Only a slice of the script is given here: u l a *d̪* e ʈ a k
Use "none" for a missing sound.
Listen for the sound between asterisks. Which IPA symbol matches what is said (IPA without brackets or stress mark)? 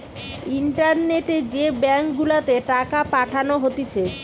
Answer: t̪